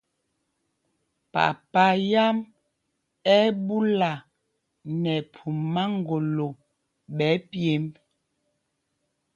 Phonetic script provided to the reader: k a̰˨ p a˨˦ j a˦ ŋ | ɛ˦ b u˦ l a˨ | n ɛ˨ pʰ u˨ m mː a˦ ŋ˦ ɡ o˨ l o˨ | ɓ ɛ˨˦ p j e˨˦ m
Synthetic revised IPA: p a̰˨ p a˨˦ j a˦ m | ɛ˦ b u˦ l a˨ | n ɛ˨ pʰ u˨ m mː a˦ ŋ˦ ɡ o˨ l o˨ | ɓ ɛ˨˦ p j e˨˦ m